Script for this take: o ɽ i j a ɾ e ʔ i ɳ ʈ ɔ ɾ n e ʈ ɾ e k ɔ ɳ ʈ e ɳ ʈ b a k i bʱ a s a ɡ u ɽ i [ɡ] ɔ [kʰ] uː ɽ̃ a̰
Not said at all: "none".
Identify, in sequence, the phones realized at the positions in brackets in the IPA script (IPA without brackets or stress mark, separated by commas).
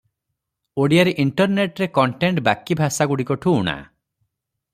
k, ʈʰ